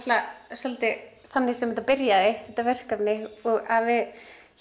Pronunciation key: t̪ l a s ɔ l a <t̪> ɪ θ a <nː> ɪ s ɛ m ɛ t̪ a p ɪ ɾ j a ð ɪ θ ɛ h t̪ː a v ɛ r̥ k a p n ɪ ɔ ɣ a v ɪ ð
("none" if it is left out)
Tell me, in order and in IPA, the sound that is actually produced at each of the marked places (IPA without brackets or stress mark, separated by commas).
t̪, nː